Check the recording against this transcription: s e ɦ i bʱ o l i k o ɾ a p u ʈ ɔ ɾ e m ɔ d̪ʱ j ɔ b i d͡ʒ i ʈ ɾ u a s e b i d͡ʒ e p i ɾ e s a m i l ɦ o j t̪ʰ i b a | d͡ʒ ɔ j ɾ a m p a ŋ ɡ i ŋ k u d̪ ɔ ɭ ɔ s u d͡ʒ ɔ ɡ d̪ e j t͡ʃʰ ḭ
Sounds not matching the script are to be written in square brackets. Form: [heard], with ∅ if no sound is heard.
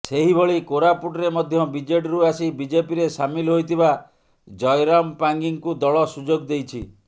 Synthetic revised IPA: s e ɦ i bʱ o [ɭ] i k o ɾ a p u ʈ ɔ ɾ e m ɔ d̪ʱ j ɔ b i d͡ʒ [e] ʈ ɾ u a s [i] b i d͡ʒ e p i ɾ e s a m i l ɦ o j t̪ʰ i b a | d͡ʒ ɔ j ɾ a m p a ŋ ɡ i ŋ k u d̪ ɔ ɭ ɔ s u d͡ʒ [o] ɡ d̪ e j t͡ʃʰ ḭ